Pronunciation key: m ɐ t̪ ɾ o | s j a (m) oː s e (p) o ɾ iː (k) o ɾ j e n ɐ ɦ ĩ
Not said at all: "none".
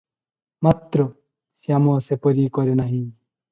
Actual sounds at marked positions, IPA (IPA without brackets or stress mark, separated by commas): m, p, k